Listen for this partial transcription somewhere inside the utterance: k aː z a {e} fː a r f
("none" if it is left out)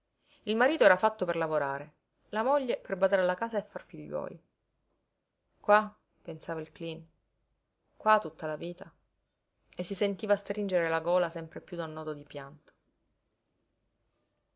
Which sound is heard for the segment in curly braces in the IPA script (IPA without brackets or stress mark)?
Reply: e